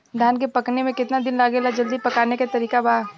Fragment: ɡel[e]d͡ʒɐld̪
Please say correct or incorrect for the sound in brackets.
incorrect